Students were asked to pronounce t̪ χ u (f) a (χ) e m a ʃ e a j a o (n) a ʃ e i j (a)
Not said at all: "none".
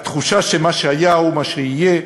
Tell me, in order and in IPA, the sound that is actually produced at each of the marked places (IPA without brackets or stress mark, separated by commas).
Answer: ʃ, ʃ, m, e